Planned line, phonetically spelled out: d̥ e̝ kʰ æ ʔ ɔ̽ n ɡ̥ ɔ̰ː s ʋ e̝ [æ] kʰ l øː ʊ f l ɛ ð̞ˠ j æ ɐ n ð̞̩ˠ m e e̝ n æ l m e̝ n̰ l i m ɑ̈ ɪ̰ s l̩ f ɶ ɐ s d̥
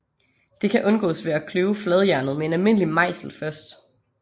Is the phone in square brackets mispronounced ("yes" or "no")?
no